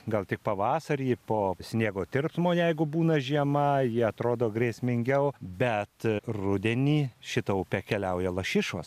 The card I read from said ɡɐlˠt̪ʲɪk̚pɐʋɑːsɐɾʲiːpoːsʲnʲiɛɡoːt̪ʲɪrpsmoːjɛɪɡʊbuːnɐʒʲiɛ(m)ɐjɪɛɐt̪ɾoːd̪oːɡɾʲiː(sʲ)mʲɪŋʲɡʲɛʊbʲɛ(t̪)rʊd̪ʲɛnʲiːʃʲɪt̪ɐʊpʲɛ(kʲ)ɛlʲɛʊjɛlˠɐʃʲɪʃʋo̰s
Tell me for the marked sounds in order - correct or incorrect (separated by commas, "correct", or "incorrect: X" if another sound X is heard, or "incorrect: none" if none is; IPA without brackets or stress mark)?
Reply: correct, correct, correct, correct